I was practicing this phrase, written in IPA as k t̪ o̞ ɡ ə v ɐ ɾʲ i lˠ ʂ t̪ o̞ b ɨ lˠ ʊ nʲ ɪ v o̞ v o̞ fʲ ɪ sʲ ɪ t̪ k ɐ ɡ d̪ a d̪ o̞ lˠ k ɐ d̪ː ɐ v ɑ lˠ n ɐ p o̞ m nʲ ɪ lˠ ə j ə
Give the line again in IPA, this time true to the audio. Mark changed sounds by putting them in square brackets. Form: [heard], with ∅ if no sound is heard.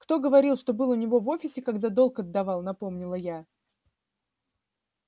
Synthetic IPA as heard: k t̪ o̞ ɡ ə v ɐ ɾʲ i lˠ ʂ t̪ o̞ b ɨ lˠ ʊ nʲ ɪ v o̞ v o̞ fʲ ɪ sʲ ɪ [∅] k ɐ ɡ d̪ a d̪ o̞ lˠ k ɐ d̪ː ɐ v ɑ lˠ n ɐ p o̞ m nʲ ɪ lˠ ə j [a]